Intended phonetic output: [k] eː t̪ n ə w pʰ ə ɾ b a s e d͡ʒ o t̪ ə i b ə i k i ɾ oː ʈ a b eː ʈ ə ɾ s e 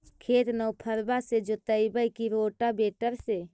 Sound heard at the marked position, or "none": kʰ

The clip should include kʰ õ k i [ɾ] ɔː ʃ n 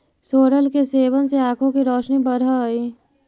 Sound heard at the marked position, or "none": ɾ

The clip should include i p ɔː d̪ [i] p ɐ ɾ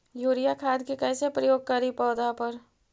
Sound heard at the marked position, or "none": a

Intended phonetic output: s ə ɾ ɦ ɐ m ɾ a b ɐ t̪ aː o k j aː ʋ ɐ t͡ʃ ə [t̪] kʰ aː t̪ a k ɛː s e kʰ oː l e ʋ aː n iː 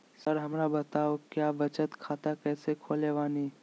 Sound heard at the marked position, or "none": t̪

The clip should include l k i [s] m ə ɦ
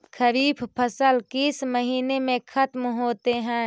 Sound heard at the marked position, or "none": s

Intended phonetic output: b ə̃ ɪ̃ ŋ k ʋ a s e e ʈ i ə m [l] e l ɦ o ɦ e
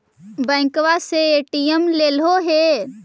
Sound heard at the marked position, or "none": l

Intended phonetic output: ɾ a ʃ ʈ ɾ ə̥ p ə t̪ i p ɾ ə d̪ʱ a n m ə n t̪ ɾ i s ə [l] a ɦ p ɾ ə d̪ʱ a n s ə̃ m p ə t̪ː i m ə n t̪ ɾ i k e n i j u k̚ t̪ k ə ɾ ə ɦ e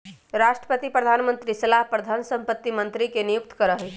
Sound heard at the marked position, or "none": l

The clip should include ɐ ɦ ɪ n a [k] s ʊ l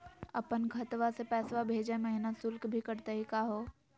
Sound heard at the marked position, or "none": none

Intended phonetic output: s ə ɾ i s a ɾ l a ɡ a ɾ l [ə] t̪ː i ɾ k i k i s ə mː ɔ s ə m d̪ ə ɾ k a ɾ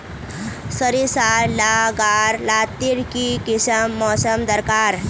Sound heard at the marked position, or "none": a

